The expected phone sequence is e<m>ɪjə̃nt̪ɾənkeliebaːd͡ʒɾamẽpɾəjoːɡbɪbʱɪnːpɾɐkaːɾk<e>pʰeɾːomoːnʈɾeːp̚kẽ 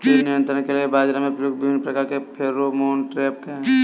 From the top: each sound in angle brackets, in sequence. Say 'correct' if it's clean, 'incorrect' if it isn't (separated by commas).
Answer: incorrect, correct